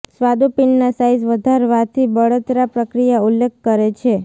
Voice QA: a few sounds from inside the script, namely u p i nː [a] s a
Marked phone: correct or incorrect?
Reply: correct